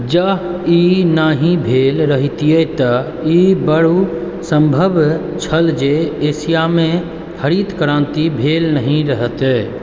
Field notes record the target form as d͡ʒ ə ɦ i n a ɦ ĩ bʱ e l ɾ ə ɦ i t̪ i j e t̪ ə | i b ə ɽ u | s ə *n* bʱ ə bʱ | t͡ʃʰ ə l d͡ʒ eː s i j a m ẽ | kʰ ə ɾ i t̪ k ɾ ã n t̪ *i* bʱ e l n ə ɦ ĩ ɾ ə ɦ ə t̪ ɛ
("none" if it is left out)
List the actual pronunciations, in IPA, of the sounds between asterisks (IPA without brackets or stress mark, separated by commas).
m, i